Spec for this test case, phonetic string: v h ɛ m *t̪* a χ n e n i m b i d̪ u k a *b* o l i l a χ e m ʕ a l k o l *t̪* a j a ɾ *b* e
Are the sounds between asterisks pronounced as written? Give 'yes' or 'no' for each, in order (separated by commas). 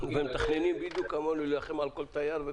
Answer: yes, no, yes, no